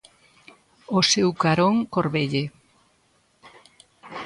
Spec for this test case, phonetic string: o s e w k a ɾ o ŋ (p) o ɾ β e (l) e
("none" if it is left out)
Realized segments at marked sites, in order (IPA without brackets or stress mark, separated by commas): k, ʎ